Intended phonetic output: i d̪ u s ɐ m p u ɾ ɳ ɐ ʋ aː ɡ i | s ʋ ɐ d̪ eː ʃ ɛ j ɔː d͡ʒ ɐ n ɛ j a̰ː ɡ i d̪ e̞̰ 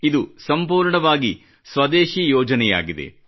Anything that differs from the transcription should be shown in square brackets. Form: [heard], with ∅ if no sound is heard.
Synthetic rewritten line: i d̪ u s ɐ m p [uː] ɾ ɳ ɐ ʋ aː ɡ i | s ʋ ɐ d̪ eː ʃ [i] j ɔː d͡ʒ ɐ n ɛ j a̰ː ɡ i d̪ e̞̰